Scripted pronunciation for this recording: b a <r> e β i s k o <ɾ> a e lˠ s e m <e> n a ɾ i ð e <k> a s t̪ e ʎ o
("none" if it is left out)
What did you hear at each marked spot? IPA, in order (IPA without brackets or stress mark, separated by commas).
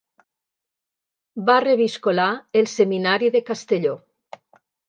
r, l, i, k